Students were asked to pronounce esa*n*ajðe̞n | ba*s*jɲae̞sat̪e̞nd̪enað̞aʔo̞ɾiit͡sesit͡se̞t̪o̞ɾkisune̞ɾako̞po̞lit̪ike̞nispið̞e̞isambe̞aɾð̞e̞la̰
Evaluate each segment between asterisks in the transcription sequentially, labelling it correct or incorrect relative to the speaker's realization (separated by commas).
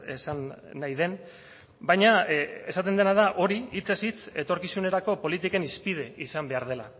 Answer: incorrect, incorrect